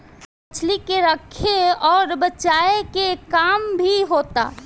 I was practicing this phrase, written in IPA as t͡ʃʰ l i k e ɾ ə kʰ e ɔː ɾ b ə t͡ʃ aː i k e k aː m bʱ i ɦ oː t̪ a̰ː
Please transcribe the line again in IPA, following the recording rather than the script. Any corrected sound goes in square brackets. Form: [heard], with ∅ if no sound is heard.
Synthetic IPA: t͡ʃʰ l i k e ɾ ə kʰ e ɔː ɾ b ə t͡ʃ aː [e] k e k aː m bʱ i ɦ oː t̪ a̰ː